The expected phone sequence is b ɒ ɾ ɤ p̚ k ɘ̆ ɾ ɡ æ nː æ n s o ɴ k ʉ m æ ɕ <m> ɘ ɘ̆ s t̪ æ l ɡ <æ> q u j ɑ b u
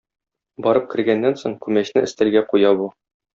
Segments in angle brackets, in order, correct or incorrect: incorrect: n, correct

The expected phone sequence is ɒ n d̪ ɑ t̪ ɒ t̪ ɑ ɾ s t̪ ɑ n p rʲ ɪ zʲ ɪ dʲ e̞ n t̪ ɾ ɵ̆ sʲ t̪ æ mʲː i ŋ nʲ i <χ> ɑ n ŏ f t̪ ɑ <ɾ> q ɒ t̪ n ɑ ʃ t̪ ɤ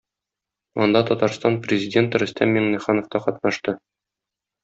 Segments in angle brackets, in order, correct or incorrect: correct, incorrect: none

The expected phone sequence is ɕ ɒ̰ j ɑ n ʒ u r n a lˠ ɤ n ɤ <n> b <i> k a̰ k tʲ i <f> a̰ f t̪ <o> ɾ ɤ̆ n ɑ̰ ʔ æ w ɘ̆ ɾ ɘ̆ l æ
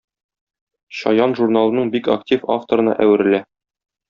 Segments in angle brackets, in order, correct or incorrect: incorrect: ɴ, correct, correct, correct

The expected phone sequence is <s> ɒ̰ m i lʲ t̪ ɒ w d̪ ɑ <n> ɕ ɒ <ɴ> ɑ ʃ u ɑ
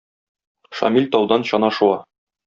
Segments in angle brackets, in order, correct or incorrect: incorrect: ʃ, correct, incorrect: n

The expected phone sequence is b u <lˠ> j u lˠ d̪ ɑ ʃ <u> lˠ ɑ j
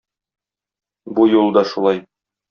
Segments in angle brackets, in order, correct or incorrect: incorrect: none, correct

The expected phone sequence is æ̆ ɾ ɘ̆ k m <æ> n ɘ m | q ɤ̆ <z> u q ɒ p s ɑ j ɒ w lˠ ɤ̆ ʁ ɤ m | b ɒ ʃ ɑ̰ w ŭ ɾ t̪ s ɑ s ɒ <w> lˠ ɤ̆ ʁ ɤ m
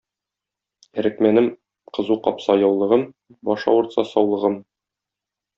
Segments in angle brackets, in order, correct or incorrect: correct, correct, correct

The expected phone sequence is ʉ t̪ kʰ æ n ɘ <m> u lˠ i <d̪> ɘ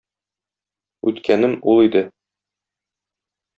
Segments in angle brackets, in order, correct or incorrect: correct, correct

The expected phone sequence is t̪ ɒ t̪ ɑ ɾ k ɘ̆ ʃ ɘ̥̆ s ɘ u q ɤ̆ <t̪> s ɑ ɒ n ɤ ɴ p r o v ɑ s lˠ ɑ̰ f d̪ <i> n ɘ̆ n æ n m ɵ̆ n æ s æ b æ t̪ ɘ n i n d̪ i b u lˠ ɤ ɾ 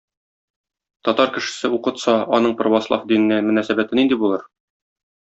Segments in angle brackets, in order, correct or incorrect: correct, correct

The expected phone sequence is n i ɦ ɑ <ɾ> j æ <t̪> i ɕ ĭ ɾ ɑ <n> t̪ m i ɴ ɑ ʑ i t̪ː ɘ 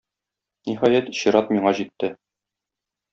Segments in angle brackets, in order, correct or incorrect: incorrect: none, correct, incorrect: none

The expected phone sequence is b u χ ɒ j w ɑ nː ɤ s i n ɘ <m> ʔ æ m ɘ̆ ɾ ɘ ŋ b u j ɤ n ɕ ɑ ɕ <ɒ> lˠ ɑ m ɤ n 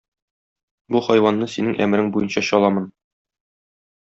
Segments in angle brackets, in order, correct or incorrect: incorrect: ŋ, correct

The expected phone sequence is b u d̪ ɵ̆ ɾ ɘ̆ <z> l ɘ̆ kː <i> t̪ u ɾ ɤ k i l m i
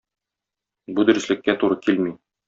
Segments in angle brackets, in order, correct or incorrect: incorrect: s, incorrect: æ

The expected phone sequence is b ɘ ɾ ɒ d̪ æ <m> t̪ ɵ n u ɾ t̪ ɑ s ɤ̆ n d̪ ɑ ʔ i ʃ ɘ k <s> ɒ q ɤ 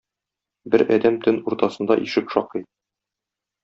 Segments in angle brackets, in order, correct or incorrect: correct, incorrect: ʃ

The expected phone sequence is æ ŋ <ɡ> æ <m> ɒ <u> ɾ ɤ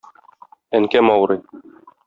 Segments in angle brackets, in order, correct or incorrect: incorrect: k, correct, incorrect: w

